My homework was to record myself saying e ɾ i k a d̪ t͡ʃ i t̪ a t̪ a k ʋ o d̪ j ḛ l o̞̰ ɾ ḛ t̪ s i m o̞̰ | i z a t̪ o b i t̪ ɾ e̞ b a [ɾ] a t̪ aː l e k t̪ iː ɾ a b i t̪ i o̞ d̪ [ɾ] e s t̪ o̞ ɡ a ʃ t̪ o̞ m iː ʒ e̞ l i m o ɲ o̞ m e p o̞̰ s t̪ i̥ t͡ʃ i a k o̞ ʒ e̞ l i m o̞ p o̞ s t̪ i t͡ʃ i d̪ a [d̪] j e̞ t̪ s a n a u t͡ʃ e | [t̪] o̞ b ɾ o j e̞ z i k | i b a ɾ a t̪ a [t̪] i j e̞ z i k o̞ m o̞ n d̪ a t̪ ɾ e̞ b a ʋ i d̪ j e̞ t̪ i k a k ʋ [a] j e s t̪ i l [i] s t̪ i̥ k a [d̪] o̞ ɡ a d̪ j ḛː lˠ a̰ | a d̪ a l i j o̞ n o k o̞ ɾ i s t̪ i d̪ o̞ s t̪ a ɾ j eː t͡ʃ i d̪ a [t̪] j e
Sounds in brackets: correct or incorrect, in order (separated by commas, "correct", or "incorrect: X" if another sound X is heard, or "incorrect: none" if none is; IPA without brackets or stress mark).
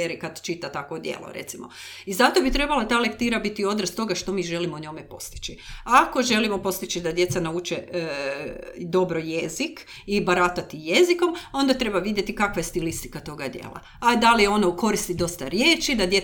incorrect: l, correct, correct, incorrect: d̪, correct, correct, correct, incorrect: t̪, incorrect: d̪